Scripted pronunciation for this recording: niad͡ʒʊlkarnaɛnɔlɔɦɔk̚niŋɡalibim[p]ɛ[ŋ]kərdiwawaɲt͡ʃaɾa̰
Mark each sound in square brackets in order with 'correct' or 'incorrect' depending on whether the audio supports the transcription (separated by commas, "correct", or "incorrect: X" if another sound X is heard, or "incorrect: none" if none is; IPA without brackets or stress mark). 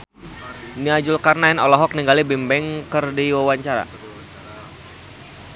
incorrect: b, correct